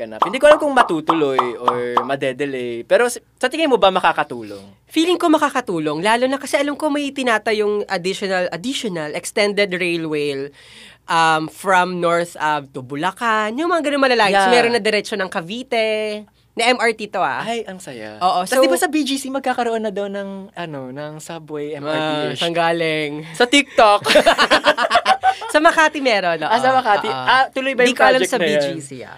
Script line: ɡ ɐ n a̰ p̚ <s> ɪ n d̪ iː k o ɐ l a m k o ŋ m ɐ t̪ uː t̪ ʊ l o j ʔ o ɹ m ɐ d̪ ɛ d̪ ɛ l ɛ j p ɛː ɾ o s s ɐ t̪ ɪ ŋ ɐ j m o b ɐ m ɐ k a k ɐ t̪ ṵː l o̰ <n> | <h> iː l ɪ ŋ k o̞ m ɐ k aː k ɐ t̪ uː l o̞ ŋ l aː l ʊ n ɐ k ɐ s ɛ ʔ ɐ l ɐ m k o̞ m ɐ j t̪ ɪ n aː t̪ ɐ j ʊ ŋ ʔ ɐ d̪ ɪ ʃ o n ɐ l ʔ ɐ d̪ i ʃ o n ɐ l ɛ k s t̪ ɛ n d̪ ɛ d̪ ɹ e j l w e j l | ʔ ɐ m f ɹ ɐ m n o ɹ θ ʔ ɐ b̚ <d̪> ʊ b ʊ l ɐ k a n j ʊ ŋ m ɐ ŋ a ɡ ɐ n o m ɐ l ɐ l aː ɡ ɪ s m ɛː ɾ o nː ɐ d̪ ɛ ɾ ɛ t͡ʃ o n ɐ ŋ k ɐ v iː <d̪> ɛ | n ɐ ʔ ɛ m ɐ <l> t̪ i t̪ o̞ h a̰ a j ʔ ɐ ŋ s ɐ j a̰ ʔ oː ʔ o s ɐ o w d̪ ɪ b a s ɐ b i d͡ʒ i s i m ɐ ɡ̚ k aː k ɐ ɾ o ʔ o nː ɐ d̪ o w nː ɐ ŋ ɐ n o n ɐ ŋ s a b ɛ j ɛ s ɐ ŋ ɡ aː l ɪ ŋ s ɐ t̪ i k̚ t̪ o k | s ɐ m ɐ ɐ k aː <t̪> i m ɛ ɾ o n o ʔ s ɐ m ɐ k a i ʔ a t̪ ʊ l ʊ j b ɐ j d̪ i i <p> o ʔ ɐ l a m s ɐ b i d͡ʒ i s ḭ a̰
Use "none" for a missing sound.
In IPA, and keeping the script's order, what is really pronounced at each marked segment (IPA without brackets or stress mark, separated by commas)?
h, ŋ, f, t̪, t̪, ɹ, t̪, k